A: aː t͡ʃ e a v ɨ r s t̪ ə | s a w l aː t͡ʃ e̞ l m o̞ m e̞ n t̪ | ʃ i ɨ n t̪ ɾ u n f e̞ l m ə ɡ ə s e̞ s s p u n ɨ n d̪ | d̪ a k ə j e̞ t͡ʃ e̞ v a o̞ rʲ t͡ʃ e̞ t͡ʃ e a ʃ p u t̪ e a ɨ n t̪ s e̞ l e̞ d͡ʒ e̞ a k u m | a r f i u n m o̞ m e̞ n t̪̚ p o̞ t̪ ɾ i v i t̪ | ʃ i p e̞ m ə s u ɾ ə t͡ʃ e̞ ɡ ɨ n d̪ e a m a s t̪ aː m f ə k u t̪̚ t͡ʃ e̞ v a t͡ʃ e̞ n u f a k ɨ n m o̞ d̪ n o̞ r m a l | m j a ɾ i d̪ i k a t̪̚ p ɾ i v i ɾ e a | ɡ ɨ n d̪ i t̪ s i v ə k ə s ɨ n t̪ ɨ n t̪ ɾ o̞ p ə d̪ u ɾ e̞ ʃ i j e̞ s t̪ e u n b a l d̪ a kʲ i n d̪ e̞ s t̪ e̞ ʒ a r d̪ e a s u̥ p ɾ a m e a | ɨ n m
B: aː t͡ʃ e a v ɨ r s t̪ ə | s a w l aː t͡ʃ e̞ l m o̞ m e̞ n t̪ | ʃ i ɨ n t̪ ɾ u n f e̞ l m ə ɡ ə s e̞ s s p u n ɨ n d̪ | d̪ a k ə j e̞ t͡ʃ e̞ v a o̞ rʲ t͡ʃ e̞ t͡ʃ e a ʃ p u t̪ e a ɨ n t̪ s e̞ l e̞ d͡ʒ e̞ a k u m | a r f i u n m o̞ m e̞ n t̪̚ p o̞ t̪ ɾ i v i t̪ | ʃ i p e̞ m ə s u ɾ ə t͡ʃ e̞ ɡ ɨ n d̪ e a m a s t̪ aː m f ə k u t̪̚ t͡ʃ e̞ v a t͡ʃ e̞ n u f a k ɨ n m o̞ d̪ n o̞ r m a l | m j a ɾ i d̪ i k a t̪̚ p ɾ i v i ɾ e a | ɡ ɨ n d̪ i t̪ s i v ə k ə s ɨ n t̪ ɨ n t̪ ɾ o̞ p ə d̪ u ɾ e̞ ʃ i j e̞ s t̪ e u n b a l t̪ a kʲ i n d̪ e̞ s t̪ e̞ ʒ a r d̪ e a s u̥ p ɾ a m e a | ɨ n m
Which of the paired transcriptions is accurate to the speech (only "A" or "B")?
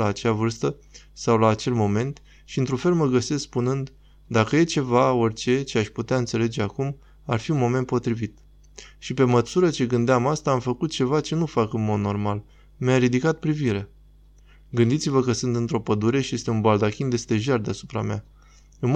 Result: A